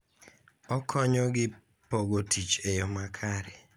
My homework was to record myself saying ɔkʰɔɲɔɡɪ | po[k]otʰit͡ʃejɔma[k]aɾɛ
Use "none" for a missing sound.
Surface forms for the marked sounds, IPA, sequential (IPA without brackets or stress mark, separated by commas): ɡ, kʰ